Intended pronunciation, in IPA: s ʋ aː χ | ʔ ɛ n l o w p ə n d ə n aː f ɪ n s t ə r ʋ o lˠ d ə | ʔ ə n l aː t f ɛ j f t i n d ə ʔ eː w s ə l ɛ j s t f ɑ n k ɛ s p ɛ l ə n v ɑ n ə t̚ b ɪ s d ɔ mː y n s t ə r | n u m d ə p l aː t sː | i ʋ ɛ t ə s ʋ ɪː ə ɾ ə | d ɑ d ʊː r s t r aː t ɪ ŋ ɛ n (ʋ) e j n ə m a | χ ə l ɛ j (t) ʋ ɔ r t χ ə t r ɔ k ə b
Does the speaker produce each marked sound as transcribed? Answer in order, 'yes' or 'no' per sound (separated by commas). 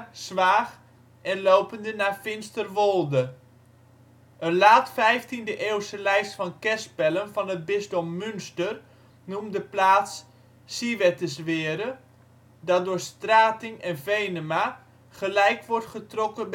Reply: no, no